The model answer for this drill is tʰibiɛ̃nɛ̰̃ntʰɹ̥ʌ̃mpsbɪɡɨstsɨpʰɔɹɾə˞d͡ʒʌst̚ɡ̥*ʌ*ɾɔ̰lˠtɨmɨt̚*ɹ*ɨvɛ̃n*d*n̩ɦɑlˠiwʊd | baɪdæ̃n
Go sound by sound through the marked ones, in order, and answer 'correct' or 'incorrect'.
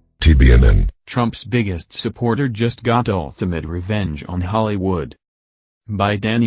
incorrect: ɑ, correct, incorrect: d͡ʒ

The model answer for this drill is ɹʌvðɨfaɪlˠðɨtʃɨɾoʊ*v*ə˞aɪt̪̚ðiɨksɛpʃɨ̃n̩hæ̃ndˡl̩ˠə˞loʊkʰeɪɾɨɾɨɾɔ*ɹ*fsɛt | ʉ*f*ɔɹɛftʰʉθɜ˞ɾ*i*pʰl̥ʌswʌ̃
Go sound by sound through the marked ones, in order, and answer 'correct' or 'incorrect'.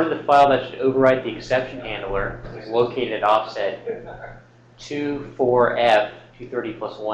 correct, incorrect: none, correct, correct

